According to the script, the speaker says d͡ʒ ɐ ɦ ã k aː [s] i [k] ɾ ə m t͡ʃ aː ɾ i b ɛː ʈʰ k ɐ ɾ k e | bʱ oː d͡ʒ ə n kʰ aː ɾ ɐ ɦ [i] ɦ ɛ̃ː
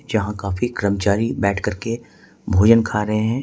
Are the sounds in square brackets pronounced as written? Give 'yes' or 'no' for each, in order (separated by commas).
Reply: no, yes, no